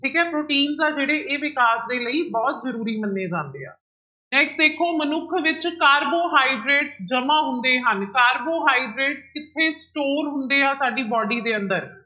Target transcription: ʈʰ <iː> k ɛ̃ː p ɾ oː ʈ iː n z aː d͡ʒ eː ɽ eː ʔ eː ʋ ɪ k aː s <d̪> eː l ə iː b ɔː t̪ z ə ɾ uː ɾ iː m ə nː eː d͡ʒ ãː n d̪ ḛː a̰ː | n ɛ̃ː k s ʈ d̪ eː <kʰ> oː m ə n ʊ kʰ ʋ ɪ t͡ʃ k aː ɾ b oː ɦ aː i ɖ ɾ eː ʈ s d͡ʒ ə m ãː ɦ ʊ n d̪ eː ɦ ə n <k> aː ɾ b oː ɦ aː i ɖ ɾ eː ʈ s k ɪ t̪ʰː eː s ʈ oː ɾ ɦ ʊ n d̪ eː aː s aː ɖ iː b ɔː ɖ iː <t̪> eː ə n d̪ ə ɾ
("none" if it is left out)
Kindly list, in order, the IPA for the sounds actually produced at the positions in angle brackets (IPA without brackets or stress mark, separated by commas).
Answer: iː, d̪, kʰ, k, d̪